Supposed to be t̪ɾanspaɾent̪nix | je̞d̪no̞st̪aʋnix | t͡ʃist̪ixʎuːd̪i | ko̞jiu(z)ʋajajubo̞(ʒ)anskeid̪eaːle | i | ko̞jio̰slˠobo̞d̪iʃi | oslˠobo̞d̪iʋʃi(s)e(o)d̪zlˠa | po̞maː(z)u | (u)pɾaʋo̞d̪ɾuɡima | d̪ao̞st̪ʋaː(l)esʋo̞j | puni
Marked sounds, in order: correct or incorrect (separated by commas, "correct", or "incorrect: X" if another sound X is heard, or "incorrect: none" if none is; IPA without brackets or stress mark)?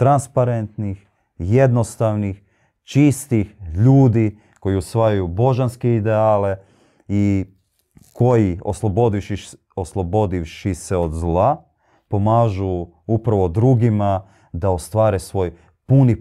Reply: incorrect: s, correct, correct, correct, incorrect: ʒ, correct, incorrect: ɾ